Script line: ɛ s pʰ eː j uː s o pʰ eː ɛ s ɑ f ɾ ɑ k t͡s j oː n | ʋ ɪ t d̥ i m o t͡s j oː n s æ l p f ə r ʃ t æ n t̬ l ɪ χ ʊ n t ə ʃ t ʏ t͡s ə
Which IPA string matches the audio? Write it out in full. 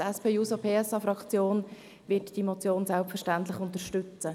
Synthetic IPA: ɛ s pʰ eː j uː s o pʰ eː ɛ s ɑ f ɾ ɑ k t͡s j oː n | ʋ ɪ t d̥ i m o t͡s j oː n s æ l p f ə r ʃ t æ n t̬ l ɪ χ ʊ n t ə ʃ t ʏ t͡s ə